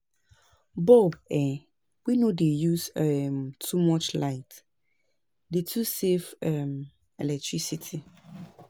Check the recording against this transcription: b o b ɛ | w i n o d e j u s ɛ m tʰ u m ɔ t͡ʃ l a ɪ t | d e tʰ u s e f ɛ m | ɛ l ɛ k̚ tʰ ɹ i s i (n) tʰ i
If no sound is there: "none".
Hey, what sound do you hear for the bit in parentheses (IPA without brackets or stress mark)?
none